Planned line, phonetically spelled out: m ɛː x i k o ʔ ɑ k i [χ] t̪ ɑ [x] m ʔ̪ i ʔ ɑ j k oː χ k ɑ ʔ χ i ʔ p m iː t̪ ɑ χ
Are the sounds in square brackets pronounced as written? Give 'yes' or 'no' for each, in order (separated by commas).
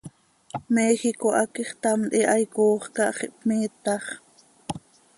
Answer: yes, no